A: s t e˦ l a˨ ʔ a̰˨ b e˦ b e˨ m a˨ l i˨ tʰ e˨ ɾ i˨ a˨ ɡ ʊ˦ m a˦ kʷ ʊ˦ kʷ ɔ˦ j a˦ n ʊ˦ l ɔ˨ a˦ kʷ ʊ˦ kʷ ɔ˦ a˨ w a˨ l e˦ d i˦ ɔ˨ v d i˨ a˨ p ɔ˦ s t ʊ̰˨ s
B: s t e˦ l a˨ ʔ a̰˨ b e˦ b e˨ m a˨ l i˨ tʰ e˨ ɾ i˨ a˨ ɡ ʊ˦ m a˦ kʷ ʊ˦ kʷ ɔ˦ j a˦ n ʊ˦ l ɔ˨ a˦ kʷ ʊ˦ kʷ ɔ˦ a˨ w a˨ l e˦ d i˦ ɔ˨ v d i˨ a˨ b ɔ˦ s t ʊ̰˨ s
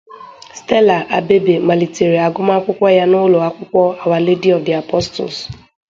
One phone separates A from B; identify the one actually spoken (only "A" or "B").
A